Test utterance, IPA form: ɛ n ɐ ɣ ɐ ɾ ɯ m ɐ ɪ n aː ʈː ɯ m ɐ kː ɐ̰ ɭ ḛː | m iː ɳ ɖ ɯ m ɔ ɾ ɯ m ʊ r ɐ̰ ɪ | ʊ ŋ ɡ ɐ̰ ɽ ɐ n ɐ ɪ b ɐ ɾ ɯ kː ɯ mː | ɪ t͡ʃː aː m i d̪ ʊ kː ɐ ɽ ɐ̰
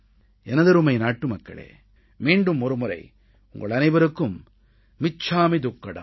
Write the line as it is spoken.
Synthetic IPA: ɛ n ɐ ð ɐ ɾ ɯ m ɐ ɪ n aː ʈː ɯ m ɐ kː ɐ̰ ɭ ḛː | m iː ɳ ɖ ɯ m ɔ ɾ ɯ m ʊ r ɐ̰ ɪ | ʊ ŋ ɡ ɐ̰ ɭ ɐ n ɐ ɪ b ɐ ɾ ɯ kː ɯ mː | ɪ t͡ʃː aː m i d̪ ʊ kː ɐ ɽ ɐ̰